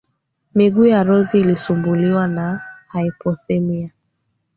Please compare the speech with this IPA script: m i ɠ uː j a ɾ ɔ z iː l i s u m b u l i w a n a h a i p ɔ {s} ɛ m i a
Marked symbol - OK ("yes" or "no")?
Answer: no